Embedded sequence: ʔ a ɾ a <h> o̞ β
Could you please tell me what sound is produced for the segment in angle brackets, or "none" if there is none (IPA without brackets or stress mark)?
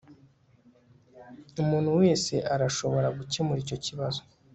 ʃ